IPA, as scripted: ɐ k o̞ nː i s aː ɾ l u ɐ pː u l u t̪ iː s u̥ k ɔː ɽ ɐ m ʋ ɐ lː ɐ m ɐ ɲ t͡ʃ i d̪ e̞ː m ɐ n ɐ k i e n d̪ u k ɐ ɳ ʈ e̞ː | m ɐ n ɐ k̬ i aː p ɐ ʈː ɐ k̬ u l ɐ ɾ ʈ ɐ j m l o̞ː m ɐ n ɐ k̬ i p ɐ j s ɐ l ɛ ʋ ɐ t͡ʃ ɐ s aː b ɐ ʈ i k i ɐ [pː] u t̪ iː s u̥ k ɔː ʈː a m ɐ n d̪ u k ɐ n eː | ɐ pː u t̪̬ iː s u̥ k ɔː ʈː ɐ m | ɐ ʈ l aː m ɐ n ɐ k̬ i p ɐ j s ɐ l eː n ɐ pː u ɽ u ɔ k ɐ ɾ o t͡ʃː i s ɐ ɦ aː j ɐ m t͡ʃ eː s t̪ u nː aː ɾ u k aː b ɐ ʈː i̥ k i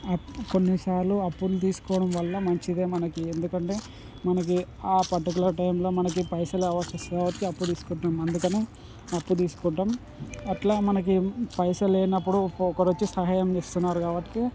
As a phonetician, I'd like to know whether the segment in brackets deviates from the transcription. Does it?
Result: no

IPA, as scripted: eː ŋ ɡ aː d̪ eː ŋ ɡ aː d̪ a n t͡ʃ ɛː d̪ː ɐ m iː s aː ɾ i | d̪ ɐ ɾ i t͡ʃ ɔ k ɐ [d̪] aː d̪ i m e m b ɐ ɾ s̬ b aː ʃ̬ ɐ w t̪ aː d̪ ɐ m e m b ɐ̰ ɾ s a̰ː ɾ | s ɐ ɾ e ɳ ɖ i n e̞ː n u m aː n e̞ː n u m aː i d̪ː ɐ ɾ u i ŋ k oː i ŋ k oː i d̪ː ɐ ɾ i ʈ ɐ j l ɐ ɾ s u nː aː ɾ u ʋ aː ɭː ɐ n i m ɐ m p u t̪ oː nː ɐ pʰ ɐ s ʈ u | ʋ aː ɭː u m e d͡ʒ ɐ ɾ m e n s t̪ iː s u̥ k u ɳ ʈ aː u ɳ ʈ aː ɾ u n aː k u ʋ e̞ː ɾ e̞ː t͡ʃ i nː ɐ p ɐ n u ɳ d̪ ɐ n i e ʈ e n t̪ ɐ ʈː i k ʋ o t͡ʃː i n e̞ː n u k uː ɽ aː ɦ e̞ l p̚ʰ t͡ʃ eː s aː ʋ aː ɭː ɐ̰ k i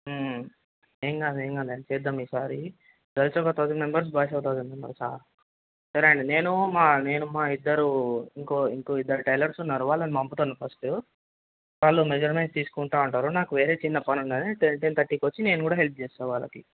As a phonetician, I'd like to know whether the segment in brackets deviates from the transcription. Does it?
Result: yes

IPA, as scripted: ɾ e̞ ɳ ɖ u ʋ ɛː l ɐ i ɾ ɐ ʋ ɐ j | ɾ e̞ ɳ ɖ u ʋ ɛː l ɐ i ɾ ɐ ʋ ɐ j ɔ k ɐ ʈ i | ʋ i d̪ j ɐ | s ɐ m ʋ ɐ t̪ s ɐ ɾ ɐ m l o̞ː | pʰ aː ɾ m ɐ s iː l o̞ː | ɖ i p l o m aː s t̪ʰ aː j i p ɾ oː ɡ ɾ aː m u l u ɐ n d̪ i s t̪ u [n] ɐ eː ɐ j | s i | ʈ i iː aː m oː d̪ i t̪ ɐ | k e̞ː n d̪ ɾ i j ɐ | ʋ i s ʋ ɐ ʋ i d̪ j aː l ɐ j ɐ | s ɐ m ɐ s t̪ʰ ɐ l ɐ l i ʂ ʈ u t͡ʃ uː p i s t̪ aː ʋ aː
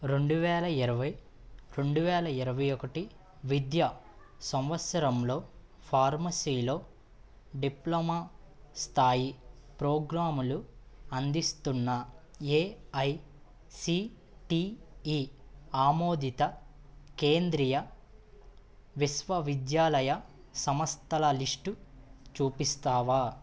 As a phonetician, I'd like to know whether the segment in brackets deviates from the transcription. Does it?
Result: yes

